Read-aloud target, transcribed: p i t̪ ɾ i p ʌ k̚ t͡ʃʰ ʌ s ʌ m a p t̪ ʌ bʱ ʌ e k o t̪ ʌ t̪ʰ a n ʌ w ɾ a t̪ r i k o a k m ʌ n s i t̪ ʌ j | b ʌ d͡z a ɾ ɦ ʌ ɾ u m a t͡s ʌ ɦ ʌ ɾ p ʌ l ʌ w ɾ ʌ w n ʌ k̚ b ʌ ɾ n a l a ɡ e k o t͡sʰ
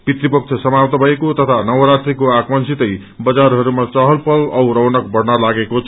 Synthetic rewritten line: p i t̪ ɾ i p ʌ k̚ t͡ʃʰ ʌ s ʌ m a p t̪ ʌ bʱ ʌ e k o t̪ ʌ t̪ʰ a n ʌ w ɾ a t̪ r i k o a k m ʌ n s i t̪ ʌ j | b ʌ d͡z a ɾ ɦ ʌ ɾ u m a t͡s ʌ ɦ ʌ l p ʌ l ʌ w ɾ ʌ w n ʌ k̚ b ʌ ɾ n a l a ɡ e k o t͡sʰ